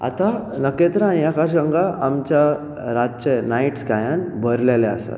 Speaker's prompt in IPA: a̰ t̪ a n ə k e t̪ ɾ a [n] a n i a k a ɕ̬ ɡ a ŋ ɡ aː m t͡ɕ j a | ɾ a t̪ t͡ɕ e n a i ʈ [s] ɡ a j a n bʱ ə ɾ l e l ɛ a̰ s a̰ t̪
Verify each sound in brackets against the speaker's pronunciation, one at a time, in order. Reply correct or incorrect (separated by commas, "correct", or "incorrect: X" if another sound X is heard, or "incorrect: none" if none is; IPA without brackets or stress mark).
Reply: incorrect: none, correct